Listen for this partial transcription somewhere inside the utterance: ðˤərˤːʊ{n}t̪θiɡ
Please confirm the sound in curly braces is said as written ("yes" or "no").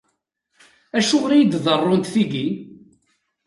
yes